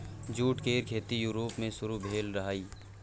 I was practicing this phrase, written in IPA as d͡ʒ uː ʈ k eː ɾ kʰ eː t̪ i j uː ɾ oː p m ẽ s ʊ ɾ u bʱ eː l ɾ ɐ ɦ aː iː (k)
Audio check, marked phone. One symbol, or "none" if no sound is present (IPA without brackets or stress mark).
none